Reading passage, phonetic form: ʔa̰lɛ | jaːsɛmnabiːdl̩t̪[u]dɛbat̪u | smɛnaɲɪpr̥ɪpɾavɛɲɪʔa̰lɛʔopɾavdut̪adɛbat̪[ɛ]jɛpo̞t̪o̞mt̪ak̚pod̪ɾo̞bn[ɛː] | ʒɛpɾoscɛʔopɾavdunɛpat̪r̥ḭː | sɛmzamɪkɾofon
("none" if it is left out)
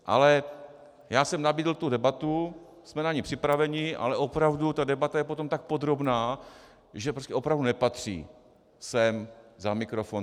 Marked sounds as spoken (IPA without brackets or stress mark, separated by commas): u, a, aː